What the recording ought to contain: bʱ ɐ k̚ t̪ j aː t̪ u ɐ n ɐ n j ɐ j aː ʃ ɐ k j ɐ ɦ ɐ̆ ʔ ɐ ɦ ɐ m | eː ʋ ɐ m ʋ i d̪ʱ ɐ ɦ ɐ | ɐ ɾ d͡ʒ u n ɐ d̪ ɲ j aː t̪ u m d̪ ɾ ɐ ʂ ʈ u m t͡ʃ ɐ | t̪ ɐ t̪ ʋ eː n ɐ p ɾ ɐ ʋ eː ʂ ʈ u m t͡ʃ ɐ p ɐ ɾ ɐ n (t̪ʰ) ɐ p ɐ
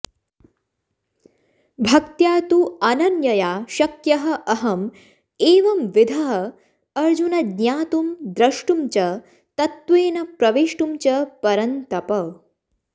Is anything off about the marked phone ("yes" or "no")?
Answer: yes